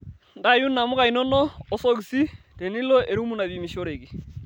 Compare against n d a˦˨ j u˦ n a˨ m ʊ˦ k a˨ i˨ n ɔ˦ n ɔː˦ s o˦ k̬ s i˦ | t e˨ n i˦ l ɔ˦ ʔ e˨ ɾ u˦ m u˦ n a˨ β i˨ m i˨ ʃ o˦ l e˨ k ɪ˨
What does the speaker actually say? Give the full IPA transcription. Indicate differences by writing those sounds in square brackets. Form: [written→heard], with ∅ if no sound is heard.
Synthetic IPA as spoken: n d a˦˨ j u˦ n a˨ m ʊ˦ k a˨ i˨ n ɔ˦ n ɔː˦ s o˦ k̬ s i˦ | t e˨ n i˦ l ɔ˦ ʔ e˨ ɾ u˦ m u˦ n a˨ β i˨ m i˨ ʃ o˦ [l→ɾ] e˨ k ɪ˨